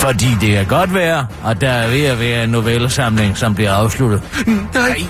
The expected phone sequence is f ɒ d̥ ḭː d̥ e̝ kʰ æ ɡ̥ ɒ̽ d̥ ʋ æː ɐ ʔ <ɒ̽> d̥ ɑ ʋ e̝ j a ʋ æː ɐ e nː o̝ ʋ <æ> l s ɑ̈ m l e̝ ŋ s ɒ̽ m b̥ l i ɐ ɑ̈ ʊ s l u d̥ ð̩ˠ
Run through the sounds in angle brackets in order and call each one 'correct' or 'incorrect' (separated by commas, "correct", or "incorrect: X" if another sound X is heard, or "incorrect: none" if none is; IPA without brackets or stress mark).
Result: correct, incorrect: e